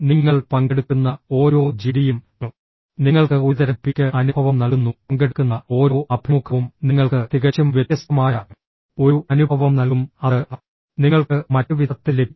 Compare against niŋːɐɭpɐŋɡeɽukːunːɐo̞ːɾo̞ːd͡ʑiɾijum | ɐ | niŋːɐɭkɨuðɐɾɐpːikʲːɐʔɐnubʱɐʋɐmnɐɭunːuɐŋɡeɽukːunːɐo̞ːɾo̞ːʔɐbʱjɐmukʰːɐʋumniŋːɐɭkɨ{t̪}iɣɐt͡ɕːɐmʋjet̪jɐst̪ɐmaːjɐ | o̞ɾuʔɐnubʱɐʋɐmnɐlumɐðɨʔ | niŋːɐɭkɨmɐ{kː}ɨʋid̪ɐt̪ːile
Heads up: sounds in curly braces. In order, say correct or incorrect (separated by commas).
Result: correct, incorrect